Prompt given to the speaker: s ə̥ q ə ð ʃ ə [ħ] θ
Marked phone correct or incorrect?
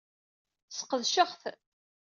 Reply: incorrect